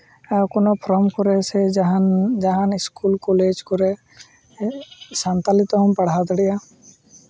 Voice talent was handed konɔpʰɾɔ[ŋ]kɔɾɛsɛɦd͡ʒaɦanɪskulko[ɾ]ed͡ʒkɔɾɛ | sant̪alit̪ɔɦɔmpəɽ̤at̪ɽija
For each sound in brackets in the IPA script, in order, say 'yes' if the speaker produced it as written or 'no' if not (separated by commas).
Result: no, no